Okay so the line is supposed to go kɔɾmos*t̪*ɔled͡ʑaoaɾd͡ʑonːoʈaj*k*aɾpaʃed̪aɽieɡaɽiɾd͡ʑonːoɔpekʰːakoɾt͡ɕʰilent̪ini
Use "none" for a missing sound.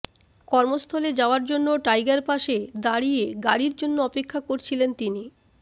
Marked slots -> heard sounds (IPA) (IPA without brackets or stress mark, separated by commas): t̪ʰ, ɡ